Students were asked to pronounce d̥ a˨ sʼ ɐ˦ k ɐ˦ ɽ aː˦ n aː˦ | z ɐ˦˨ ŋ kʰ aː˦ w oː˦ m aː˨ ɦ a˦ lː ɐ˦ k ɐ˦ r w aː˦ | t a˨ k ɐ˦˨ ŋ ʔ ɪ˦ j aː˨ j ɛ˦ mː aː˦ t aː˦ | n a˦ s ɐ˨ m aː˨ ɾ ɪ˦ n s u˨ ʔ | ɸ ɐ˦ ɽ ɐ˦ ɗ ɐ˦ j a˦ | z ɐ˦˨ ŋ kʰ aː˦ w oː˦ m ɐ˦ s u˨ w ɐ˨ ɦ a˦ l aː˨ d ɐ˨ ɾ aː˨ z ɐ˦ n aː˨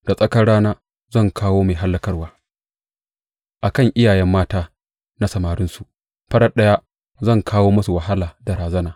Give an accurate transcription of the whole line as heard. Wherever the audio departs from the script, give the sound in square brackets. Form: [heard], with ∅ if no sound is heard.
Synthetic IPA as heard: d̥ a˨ sʼ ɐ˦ k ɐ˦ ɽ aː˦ n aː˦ | z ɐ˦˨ ŋ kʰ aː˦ w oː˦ m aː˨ ɦ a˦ lː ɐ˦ k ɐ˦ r w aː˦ | [ʔ] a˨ k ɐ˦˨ ŋ ʔ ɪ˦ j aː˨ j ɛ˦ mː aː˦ t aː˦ | n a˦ s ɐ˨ m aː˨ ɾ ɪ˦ n s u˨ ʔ | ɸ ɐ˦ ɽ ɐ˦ ɗ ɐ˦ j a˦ | z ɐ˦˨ ŋ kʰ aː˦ w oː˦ m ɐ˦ s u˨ w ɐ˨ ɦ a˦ l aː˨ d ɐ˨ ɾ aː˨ z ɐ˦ n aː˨